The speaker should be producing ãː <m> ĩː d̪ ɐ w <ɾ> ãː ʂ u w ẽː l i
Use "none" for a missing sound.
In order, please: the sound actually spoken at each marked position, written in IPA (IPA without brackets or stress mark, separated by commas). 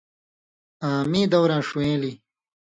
m, ɾ